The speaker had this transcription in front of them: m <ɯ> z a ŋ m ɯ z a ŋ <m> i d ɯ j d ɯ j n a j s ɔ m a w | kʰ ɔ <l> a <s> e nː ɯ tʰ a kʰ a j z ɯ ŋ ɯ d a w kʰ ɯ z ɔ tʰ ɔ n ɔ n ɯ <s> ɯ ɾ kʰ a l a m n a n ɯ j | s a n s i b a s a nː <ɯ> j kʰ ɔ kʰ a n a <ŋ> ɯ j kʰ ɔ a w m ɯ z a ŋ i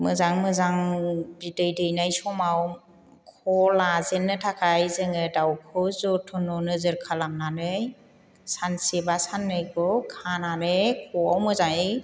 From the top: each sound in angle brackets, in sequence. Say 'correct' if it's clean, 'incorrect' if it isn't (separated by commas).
correct, incorrect, correct, incorrect, incorrect, correct, incorrect